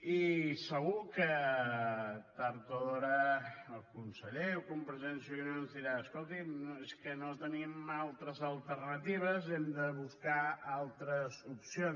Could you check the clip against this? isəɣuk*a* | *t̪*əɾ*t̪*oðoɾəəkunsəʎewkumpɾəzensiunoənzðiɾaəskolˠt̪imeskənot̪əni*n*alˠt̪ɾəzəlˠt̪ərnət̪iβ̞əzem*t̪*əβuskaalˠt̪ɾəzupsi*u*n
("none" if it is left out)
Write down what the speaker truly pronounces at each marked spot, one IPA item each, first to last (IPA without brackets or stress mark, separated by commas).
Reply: ə, t̪, t̪, m, d̪, o